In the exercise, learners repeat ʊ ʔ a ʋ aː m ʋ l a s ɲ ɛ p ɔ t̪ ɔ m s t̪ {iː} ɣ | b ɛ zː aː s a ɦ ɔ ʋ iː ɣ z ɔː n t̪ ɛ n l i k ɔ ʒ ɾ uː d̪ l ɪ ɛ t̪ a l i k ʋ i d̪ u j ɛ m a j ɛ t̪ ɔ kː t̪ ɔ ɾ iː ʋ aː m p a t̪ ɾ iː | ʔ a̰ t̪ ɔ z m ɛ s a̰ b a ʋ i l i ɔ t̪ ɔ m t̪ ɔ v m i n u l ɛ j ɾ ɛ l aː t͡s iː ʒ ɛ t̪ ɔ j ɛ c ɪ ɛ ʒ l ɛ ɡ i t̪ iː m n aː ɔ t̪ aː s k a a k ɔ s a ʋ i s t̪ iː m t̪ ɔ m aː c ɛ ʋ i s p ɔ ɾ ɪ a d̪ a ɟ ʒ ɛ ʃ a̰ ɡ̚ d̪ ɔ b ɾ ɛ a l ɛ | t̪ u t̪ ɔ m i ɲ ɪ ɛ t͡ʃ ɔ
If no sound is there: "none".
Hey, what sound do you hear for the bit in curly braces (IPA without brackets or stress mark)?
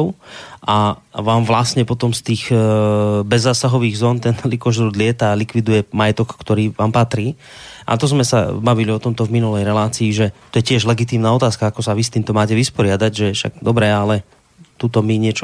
iː